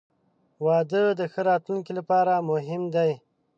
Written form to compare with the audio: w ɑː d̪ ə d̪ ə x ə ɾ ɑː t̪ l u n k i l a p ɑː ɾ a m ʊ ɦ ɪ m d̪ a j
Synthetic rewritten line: w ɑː d̪ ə d̪ ə x ə ɾ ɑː t̪ l u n k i l a p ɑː ɾ a m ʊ ɦ ɪ m d̪ a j